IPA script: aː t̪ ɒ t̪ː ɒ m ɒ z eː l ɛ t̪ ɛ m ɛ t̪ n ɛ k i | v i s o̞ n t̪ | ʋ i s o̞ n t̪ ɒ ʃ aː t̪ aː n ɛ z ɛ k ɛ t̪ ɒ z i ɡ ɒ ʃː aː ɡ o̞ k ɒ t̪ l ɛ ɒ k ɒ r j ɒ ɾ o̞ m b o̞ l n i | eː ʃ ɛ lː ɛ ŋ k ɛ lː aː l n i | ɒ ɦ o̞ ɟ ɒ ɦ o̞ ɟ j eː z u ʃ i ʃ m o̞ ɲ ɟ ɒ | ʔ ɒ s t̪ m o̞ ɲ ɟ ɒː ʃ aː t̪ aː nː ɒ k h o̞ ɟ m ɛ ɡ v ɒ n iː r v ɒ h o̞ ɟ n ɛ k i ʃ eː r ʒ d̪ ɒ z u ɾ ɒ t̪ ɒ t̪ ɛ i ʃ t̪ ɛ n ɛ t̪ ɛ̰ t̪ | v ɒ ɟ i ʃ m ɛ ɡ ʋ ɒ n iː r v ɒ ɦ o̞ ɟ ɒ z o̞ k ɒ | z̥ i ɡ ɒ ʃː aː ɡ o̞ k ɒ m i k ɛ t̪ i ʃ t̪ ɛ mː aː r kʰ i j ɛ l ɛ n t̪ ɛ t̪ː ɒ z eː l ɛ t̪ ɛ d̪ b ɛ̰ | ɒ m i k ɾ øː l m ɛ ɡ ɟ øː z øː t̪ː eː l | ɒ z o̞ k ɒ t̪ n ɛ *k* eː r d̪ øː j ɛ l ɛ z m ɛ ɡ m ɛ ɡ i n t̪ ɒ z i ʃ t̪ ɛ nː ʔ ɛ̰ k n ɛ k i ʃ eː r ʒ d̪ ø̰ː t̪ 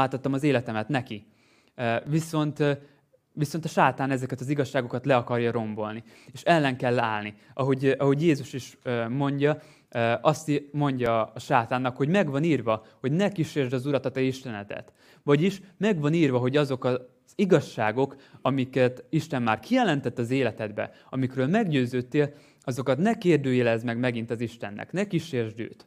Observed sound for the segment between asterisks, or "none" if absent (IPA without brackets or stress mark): k